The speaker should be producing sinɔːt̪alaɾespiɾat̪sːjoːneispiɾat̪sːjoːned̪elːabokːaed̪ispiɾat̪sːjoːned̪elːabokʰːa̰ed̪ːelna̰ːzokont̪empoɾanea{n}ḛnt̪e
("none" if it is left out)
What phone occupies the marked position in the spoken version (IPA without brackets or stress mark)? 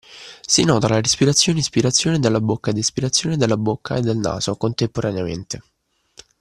m